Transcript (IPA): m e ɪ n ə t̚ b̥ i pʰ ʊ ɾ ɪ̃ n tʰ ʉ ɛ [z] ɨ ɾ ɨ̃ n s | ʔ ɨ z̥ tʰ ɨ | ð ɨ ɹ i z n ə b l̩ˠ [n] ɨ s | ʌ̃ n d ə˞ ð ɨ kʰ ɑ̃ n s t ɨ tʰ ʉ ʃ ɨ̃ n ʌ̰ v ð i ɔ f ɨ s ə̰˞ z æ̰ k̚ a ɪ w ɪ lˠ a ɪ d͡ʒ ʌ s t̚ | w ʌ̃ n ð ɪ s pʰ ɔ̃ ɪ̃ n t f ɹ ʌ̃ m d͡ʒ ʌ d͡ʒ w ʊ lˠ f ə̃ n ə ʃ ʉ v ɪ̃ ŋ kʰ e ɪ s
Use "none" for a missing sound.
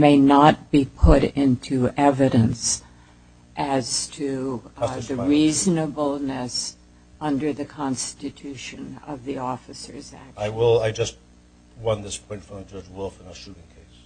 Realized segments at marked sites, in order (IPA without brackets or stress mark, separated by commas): v, n